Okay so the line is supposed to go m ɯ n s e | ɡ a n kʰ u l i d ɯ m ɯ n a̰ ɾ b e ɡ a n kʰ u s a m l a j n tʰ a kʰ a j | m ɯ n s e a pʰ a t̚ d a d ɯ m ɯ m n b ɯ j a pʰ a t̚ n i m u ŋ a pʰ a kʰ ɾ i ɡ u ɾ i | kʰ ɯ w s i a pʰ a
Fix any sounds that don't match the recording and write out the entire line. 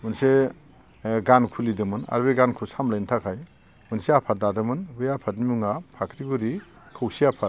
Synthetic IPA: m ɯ n s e | ɡ a n kʰ u l i d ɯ m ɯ n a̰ ɾ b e ɡ a n kʰ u s a m l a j n tʰ a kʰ a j | m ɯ n s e a pʰ a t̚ d a d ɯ m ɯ n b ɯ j a pʰ a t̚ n i m u ŋ a pʰ a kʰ ɾ i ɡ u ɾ i | kʰ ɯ w s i a pʰ a